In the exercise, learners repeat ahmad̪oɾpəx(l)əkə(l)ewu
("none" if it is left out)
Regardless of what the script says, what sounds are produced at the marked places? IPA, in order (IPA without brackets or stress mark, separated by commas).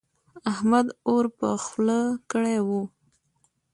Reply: l, ɽ